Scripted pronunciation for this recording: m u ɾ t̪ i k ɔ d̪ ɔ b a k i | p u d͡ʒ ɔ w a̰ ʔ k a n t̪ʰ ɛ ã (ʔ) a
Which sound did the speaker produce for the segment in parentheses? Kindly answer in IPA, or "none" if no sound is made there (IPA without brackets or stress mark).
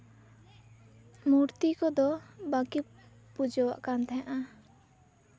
ʔ